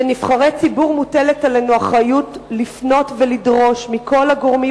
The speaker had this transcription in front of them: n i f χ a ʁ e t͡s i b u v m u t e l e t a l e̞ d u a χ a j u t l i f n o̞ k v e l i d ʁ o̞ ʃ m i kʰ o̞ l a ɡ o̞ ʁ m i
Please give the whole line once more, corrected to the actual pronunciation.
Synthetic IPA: n i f χ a ʁ e t͡s i b u ʁ m u t e l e t a l e̞ n u a χ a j u t l i f n o̞ t v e l i d ʁ o̞ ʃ m i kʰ o̞ l a ɡ o̞ ʁ m i